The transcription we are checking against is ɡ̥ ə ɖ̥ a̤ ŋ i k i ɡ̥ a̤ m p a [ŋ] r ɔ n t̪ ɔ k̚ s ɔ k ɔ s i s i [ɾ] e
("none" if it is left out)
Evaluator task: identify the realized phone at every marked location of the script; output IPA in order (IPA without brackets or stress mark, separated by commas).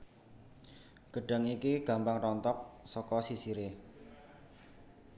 ŋ, ɾ